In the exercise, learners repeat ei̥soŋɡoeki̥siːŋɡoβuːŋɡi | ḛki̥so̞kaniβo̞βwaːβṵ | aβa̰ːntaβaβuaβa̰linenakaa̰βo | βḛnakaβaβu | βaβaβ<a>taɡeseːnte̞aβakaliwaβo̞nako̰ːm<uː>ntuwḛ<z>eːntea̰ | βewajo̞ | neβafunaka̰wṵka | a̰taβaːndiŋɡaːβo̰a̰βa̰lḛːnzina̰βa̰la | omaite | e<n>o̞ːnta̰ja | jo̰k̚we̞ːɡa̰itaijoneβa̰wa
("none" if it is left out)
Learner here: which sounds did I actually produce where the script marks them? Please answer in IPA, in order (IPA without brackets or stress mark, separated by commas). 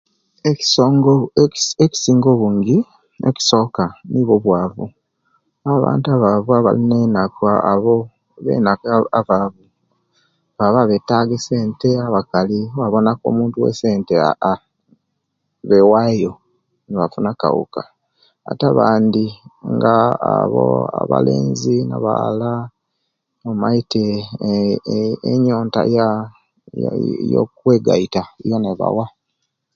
e, uː, s, ɲ